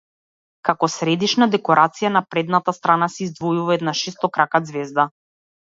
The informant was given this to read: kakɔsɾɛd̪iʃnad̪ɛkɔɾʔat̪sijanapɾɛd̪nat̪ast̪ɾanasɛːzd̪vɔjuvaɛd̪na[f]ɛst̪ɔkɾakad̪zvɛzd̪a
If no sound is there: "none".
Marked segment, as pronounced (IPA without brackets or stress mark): ʃ